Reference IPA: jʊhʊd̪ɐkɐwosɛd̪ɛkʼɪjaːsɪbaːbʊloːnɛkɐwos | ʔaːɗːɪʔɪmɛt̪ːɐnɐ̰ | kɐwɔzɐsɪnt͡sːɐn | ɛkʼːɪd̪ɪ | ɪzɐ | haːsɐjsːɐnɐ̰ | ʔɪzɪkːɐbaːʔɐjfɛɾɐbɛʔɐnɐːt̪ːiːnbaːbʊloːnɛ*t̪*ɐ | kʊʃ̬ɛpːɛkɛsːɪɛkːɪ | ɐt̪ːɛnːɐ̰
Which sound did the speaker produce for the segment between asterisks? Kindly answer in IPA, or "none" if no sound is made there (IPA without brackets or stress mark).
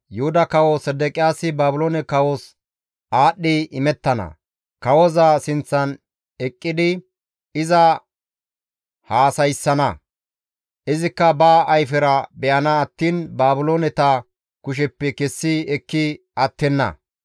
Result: t̪